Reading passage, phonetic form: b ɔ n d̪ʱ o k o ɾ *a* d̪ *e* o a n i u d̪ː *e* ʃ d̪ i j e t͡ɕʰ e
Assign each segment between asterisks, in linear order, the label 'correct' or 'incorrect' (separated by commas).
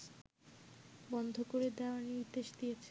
incorrect, incorrect, correct